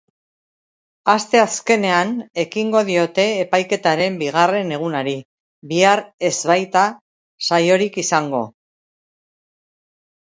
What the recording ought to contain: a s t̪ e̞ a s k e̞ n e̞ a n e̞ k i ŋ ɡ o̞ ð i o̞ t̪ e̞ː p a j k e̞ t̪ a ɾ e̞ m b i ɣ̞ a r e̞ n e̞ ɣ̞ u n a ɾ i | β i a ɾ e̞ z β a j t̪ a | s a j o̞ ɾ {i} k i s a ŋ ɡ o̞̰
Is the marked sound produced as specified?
yes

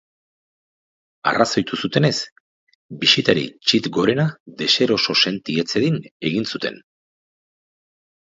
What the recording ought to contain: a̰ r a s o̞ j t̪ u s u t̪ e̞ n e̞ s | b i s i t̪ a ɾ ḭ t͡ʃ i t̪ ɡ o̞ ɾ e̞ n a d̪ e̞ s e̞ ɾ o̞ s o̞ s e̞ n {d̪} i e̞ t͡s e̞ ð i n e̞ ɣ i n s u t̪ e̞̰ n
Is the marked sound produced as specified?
no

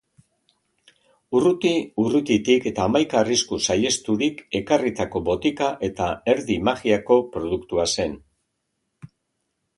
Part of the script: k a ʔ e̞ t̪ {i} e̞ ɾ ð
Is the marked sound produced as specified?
no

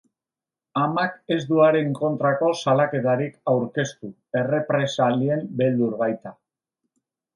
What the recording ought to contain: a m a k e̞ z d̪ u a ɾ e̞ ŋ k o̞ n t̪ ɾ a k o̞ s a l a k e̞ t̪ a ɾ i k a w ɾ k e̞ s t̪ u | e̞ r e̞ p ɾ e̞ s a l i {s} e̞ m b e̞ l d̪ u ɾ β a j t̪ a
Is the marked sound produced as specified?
no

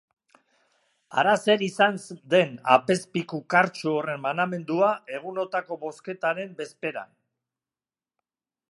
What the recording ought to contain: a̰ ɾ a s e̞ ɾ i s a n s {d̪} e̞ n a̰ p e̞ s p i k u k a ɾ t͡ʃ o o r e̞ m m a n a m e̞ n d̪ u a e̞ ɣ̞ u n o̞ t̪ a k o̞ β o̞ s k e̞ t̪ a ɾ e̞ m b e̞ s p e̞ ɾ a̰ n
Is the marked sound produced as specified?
yes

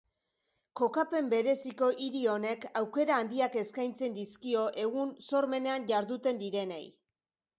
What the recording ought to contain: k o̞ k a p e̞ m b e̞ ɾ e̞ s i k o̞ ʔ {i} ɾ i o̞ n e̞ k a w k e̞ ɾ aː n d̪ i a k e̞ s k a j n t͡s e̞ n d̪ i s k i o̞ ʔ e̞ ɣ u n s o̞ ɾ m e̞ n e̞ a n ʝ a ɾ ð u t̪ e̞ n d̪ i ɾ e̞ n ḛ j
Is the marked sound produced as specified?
yes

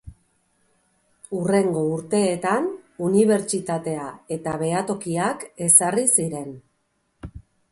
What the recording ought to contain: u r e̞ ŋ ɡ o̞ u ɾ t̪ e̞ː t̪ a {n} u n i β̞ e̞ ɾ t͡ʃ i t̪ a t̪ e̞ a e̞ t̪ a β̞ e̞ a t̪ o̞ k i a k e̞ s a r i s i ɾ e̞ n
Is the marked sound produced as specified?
yes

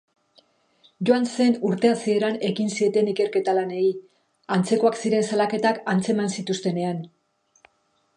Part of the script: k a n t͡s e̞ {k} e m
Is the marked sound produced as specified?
no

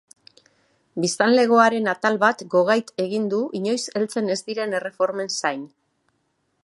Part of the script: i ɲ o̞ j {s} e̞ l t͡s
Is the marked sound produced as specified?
yes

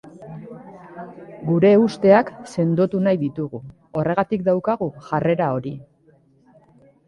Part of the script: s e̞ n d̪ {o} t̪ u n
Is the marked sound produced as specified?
yes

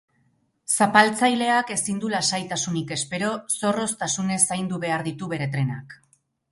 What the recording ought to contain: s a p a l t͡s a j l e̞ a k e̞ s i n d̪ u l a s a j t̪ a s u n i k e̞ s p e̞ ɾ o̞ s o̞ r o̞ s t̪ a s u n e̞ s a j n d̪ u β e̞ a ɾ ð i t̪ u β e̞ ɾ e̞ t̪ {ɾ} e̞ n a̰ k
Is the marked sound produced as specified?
yes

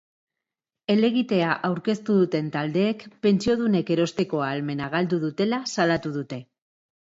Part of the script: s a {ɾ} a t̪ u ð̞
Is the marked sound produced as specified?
no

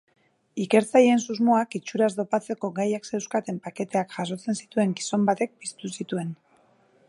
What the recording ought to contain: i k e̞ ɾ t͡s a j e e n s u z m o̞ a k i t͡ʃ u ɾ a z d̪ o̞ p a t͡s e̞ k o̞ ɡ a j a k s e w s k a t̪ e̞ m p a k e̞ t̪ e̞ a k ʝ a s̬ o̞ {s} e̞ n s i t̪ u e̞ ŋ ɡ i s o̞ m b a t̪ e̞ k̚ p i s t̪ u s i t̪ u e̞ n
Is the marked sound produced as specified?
no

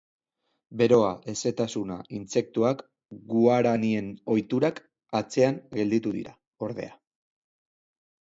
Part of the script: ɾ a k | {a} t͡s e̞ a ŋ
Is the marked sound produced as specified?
yes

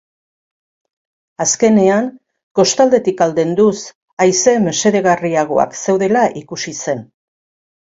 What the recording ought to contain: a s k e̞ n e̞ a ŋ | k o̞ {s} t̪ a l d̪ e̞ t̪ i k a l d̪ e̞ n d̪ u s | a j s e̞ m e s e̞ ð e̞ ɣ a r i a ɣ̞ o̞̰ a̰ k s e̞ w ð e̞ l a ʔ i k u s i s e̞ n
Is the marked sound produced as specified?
yes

